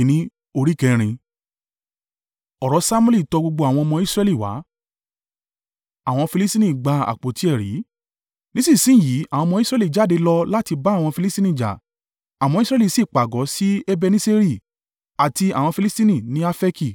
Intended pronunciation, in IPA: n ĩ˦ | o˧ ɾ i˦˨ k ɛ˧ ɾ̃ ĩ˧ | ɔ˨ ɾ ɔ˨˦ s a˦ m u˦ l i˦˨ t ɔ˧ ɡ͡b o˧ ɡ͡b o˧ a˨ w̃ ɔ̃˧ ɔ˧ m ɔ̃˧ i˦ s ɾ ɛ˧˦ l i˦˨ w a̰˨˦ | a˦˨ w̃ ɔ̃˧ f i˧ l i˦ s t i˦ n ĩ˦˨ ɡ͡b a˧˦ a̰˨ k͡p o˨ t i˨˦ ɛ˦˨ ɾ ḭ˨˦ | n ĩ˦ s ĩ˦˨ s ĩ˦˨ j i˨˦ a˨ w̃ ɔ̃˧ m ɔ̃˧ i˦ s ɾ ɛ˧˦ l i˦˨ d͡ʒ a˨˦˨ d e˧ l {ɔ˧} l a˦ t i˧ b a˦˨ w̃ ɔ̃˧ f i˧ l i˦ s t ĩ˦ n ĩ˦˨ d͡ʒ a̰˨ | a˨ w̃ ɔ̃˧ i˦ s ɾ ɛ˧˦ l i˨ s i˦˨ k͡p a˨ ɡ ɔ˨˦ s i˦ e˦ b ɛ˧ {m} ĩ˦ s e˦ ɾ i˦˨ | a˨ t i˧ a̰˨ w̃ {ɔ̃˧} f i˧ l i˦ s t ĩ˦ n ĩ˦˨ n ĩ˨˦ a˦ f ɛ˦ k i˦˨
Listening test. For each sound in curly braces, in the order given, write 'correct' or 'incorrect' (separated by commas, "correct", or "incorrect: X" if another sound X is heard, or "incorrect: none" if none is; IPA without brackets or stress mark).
correct, incorrect: n, correct